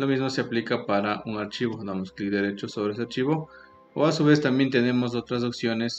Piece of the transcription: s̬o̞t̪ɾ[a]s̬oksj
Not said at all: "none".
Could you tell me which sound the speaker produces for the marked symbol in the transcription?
a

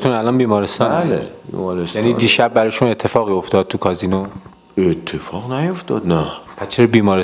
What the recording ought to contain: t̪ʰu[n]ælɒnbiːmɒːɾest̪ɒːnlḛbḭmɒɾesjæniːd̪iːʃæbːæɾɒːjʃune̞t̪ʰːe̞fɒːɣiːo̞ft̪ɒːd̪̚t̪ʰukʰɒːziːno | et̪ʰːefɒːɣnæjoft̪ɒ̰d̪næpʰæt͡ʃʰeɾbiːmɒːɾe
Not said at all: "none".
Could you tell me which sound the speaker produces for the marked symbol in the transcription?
n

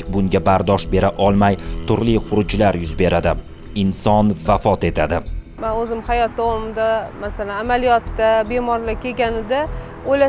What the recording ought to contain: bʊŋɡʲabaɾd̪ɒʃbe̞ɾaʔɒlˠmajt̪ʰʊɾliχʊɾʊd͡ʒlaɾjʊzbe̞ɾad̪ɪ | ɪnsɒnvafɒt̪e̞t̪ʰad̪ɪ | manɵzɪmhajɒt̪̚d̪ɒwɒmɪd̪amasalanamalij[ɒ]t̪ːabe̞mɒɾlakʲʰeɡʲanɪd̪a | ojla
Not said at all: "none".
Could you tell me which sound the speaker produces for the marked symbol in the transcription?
ɒ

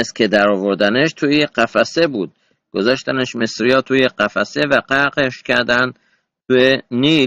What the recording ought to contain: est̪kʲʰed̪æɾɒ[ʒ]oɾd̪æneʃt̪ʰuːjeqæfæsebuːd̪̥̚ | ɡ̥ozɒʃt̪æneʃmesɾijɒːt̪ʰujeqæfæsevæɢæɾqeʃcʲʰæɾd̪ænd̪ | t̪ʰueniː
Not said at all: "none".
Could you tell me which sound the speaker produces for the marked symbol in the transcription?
v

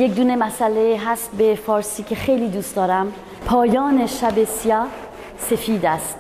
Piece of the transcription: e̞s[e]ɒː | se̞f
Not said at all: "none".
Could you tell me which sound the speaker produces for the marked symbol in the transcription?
i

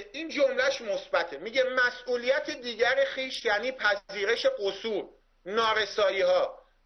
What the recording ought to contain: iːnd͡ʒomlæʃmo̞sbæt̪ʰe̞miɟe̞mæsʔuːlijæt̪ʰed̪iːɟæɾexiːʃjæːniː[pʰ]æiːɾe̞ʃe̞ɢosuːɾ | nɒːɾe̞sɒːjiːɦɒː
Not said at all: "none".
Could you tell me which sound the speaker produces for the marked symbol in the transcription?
pʰ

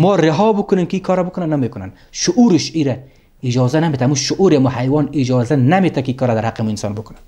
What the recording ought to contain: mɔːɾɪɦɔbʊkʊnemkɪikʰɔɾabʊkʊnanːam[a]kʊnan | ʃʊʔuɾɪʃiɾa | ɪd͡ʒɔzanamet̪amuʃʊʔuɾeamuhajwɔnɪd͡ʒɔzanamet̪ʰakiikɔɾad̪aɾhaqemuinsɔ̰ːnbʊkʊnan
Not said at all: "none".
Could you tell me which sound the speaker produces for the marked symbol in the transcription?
e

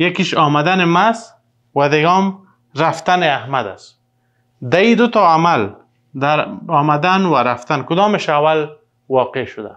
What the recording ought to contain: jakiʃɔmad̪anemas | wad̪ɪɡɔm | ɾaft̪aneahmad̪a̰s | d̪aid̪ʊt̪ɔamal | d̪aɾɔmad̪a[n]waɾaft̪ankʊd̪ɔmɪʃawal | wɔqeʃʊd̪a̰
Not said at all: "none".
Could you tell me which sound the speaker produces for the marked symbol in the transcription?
n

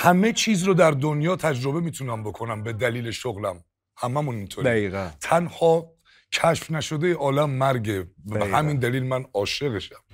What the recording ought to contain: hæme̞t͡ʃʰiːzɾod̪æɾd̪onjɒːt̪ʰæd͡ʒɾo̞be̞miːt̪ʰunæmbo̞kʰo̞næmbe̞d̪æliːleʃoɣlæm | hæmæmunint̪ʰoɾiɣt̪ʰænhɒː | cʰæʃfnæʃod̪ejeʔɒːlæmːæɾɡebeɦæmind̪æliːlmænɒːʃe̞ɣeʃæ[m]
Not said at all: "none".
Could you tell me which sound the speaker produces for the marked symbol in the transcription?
m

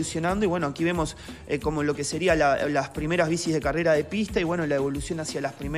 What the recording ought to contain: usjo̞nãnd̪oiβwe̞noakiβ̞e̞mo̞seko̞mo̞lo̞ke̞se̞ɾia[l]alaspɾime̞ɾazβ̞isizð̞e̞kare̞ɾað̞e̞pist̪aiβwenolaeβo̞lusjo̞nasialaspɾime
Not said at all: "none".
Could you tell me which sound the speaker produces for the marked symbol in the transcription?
l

